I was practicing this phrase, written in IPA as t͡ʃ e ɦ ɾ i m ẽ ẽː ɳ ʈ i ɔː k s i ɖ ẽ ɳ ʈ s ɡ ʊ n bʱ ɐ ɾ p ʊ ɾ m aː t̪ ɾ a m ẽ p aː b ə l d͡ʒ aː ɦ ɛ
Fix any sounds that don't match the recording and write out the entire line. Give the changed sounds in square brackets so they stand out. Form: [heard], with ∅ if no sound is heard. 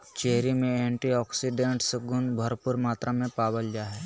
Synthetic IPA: t͡ʃ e ɦ ɾ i m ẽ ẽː ɳ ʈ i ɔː k s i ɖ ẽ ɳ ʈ s ɡ ʊ n bʱ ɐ ɾ p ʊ ɾ m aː t̪ ɾ a m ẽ p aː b ə l d͡ʒ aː ɦ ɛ

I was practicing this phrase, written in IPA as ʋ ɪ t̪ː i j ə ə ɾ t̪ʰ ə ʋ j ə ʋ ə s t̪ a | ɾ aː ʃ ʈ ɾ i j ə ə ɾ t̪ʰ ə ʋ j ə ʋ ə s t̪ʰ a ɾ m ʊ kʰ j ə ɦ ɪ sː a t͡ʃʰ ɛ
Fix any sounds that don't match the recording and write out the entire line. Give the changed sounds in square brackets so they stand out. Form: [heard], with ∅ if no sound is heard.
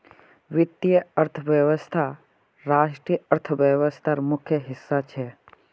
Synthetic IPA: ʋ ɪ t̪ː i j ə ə ɾ t̪ʰ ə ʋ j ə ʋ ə s [t̪ʰ] a | ɾ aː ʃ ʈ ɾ i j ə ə ɾ t̪ʰ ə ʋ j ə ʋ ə s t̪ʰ a ɾ m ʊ kʰ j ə ɦ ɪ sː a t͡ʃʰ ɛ

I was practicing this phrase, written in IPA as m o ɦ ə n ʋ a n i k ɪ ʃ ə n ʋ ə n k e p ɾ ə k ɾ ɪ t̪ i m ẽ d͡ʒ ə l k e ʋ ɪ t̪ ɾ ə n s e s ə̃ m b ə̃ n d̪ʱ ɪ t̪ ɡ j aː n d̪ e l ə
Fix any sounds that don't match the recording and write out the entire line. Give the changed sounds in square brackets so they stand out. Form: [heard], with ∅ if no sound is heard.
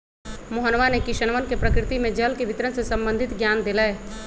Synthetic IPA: m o ɦ ə n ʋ a n [e] k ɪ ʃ ə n ʋ ə n k e p ɾ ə k ɾ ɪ t̪ i m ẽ d͡ʒ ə l k e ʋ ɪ t̪ ɾ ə n s e s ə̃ m b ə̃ n d̪ʱ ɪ t̪ ɡ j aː n d̪ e l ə

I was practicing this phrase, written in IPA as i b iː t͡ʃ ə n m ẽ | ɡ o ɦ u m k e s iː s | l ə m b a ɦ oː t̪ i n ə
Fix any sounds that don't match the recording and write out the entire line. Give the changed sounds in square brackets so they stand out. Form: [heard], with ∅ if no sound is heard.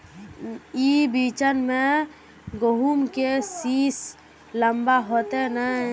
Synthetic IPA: i b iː t͡ʃ ə n m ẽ | ɡ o ɦ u m k e s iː s | l ə m b a ɦ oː t̪ [e] n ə

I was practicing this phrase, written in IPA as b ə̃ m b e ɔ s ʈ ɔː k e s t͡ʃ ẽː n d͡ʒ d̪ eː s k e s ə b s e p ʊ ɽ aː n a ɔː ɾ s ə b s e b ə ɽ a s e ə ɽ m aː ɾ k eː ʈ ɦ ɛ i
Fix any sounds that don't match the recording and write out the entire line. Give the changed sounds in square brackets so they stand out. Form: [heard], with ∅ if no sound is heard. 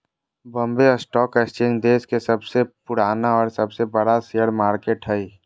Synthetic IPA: b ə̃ m b e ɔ s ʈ ɔː k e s t͡ʃ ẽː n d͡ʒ d̪ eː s k e s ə b s e p ʊ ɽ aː n a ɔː ɾ s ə b s e b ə ɽ a s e ə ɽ m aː ɾ k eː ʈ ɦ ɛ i

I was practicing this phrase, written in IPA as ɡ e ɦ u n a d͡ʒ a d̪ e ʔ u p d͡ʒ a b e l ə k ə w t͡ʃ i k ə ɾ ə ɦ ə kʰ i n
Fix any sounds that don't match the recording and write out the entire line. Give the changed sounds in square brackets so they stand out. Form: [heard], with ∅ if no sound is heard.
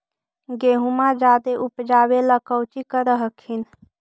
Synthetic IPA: ɡ e ɦ u [m] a d͡ʒ a d̪ e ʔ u p d͡ʒ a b e l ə k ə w t͡ʃ i k ə ɾ ə ɦ ə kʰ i n

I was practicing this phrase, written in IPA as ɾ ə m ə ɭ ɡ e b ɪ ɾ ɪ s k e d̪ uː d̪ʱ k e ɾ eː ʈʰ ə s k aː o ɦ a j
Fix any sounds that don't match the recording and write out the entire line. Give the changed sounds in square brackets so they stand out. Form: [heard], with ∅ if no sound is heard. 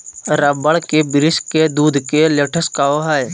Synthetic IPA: ɾ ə [b] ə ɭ [k] e b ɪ ɾ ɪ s k e d̪ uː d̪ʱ k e [l] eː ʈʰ ə s k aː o ɦ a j

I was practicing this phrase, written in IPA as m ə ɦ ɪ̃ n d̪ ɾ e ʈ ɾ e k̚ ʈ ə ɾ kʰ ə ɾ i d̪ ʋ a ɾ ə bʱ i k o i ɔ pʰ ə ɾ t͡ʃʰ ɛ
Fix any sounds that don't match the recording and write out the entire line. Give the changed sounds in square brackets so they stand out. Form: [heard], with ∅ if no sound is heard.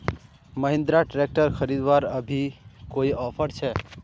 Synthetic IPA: m ə ɦ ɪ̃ n d̪ ɾ [a] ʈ ɾ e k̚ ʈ ə ɾ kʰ ə ɾ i d̪ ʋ a ɾ ə bʱ i k o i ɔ pʰ ə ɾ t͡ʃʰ ɛ

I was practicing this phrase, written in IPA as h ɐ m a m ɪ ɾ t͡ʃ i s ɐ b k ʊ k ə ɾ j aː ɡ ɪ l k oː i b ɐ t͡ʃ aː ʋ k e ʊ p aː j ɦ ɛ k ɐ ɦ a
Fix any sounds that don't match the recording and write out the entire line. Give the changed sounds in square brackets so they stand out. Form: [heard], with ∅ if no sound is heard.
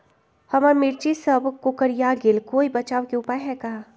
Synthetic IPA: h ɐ m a m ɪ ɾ t͡ʃ i s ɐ b k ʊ k ə ɾ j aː ɡ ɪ l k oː i b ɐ t͡ʃ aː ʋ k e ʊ p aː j ɦ ɛ k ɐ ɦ a

